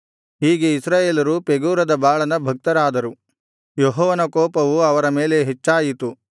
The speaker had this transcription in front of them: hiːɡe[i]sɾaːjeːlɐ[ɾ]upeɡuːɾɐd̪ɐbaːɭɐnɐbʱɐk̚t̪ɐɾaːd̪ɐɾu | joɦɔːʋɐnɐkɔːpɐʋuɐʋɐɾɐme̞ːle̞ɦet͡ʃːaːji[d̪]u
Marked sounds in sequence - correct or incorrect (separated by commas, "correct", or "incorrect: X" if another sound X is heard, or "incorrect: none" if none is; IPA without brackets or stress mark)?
correct, correct, incorrect: t̪